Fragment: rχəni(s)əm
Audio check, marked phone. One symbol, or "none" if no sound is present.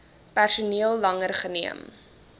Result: none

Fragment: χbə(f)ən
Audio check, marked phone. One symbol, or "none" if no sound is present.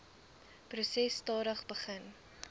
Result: χ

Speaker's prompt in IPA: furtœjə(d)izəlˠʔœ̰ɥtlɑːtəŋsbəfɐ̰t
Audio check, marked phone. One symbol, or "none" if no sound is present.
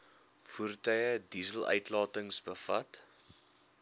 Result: d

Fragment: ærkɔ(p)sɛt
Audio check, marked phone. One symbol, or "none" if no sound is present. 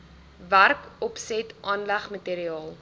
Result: p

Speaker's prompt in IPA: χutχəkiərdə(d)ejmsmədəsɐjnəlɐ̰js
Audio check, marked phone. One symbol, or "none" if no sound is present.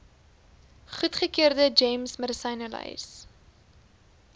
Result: d͡ʒ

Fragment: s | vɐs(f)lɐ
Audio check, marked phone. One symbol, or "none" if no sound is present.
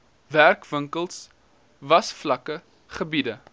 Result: f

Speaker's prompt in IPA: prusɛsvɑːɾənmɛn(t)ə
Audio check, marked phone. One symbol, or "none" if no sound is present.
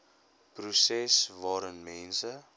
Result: s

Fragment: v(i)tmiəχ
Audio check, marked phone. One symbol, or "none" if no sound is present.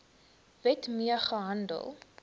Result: ɛ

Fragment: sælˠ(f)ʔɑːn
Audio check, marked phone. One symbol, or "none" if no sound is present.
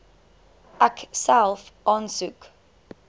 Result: f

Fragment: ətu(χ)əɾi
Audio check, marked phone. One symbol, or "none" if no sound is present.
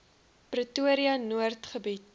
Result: none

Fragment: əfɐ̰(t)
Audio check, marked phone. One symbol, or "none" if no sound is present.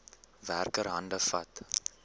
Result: t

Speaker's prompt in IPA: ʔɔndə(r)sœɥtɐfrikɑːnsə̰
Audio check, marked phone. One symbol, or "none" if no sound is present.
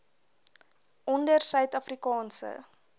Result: r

